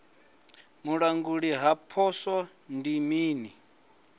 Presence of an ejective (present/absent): absent